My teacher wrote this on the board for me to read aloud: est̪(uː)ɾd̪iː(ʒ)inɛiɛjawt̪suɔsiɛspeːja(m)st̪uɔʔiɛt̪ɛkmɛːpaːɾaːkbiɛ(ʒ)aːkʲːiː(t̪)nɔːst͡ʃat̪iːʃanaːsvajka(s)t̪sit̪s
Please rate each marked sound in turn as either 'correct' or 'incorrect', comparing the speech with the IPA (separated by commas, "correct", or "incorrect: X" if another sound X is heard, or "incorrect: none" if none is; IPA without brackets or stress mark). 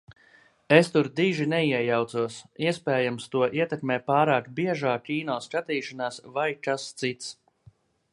incorrect: u, correct, correct, correct, incorrect: none, correct